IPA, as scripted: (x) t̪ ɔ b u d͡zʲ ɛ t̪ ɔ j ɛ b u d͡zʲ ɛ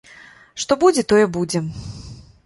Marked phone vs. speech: incorrect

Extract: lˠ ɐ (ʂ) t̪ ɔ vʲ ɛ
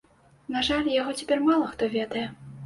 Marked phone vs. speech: incorrect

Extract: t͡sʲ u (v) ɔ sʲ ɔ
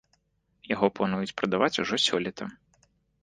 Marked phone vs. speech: incorrect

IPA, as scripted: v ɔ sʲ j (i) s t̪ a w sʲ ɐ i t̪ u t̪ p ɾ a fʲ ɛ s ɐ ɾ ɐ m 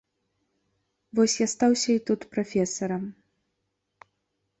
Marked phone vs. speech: incorrect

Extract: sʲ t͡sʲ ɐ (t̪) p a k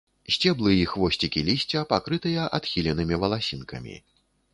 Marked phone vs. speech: incorrect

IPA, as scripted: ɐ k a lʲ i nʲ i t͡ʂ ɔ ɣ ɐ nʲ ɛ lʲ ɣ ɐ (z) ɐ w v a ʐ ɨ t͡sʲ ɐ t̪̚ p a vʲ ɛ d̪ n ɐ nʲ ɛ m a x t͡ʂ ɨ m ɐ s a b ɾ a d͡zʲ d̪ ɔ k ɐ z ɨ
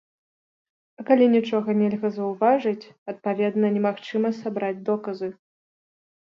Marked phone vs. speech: correct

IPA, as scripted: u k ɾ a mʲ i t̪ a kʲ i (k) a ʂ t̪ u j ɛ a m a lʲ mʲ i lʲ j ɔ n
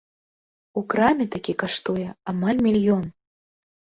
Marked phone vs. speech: correct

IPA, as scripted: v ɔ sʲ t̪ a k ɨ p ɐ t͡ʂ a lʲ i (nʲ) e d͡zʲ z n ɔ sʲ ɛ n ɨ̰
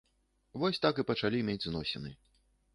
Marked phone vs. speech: incorrect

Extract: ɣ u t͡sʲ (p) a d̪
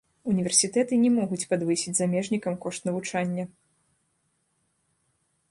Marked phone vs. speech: correct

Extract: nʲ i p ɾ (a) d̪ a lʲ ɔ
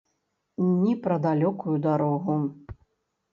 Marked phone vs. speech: incorrect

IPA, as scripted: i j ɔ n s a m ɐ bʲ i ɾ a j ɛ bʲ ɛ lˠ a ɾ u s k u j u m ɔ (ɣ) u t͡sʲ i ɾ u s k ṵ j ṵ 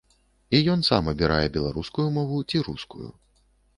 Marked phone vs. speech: incorrect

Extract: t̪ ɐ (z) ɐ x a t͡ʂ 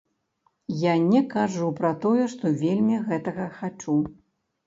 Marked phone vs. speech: incorrect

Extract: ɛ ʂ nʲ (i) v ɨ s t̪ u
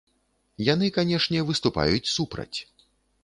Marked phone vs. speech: incorrect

